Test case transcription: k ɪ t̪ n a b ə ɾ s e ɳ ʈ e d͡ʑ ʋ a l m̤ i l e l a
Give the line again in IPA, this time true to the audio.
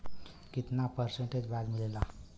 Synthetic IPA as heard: k i t̪ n a p ə ɾ s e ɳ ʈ e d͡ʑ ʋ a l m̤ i l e l a